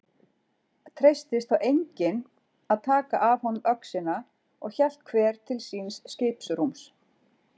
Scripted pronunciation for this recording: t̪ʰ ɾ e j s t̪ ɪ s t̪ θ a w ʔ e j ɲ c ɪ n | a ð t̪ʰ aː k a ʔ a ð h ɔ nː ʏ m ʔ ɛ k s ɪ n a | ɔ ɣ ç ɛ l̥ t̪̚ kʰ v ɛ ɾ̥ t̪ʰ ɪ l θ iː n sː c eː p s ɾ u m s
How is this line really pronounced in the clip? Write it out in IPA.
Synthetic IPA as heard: t̪ʰ ɾ e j s t̪ ɪ s t̪ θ a w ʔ e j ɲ c ɪ n | a ð t̪ʰ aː k a ʔ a v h ɔ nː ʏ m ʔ œ k s ɪ n a | ɔ ɣ ç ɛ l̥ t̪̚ kʰ v ɛː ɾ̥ t̪ʰ ɪ l s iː n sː c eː p s ɾ u m s